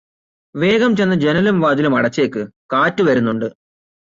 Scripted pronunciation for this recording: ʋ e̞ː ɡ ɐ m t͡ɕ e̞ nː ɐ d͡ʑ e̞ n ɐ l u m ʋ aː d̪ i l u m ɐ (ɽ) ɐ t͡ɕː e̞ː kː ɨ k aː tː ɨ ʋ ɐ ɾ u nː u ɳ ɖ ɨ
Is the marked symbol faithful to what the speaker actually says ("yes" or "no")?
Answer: yes